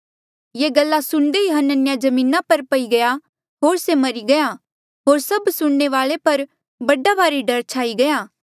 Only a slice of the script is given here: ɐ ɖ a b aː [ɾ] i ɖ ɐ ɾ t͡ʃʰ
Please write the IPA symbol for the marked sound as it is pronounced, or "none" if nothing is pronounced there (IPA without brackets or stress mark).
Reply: ɾ